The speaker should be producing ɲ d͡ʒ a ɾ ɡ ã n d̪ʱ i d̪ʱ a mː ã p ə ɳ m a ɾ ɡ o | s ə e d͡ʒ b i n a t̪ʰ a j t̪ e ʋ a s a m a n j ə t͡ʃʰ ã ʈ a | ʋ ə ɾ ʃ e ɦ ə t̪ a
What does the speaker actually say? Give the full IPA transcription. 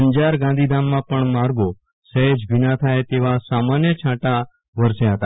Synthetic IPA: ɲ d͡ʒ a ɾ ɡ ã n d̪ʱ i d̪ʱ a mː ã p ə ɳ m a ɾ ɡ o | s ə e d͡ʒ b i n a t̪ʰ a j t̪ e ʋ a s a m a n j ə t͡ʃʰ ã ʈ a | ʋ ə ɾ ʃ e ɦ ə t̪ a